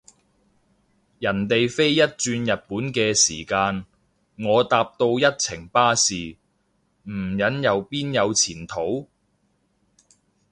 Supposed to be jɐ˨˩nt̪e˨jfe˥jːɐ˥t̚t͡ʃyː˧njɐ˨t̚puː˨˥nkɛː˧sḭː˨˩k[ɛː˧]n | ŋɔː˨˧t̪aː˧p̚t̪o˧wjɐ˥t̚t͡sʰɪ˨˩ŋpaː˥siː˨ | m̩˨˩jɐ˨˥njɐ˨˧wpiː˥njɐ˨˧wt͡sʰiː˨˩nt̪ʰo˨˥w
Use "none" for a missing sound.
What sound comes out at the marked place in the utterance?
aː˧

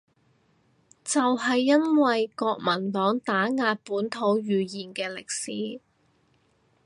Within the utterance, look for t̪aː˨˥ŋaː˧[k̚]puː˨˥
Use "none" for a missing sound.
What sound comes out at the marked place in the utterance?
t̚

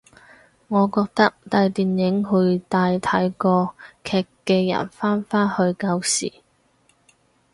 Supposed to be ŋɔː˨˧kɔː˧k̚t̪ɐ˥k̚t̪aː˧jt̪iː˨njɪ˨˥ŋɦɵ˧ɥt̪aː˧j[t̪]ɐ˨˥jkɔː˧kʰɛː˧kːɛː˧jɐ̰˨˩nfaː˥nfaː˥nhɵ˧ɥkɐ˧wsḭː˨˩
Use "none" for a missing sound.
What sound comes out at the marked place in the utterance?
t̪ʰ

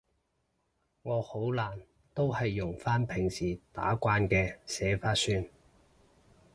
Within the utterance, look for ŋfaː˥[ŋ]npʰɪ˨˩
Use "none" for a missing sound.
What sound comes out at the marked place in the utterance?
none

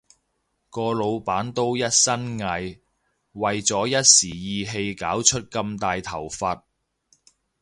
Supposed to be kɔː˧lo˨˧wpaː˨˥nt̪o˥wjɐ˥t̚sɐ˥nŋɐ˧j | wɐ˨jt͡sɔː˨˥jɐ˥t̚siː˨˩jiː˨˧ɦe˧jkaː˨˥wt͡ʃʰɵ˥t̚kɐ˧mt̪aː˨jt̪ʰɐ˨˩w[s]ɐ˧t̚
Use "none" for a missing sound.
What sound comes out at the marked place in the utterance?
f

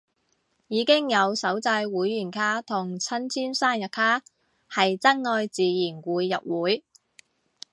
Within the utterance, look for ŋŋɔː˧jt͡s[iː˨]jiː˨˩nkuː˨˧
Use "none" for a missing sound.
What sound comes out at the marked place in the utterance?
iː˨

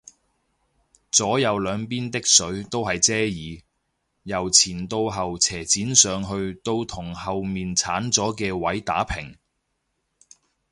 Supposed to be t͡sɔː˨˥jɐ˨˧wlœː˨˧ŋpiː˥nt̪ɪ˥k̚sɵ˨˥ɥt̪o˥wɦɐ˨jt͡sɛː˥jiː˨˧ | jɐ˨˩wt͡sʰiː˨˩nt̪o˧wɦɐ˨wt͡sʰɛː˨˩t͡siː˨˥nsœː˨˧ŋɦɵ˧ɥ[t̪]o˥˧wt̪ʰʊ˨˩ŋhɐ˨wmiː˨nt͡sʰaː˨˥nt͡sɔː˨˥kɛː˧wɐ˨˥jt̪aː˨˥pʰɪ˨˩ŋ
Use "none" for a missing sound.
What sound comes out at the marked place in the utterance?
t̪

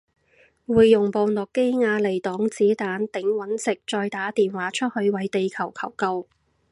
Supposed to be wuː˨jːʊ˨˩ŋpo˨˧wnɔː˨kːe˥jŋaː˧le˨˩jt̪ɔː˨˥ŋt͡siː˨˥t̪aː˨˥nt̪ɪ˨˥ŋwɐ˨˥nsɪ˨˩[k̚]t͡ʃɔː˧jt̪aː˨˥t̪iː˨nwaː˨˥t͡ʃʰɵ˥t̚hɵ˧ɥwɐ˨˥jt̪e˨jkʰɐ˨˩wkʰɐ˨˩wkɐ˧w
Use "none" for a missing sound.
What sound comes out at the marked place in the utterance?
k̚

